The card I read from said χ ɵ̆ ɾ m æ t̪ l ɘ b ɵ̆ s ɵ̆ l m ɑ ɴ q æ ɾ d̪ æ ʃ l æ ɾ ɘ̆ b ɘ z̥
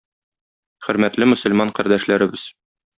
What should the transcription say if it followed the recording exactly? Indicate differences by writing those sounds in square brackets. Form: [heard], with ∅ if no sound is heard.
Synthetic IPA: χ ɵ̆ ɾ m æ t̪ l ɘ [m] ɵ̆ s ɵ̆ l m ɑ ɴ q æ ɾ d̪ æ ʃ l æ ɾ ɘ̆ b ɘ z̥

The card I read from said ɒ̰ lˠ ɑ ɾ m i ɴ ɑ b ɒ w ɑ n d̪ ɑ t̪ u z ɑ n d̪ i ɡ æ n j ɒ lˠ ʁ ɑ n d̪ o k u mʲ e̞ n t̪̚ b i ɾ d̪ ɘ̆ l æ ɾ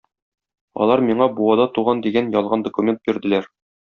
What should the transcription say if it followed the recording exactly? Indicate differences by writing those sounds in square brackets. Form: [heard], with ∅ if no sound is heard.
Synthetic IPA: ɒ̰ lˠ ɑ ɾ m i ɴ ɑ b [u] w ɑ [∅] d̪ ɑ t̪ u [ʁ] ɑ n d̪ i ɡ æ n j ɒ lˠ ʁ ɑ n d̪ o k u mʲ e̞ n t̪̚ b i ɾ d̪ ɘ̆ l æ ɾ

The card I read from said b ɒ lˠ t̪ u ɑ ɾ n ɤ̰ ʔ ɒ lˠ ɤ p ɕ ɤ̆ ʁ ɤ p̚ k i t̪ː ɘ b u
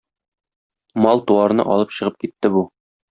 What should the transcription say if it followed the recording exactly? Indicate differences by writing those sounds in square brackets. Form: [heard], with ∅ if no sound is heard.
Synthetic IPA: [m] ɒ lˠ t̪ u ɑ ɾ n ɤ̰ ʔ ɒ lˠ ɤ p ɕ ɤ̆ ʁ ɤ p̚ k i t̪ː ɘ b u

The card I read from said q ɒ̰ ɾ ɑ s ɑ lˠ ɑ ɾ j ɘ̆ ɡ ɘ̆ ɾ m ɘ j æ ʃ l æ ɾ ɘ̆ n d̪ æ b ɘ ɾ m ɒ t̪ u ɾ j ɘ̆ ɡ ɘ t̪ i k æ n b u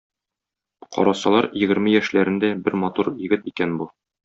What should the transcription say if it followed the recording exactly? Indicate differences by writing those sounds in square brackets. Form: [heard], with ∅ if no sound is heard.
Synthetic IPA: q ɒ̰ ɾ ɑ s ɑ lˠ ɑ ɾ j ɘ̆ ɡ ɘ̆ ɾ m ɘ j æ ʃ l æ ɾ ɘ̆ n d̪ æ b ɘ ɾ m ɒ t̪ u ɾ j ɘ̆ ɡ ɘ t̪ i k æ n b u

